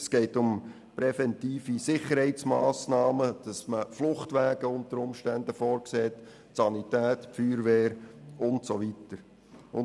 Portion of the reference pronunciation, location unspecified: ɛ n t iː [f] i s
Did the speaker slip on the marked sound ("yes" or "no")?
no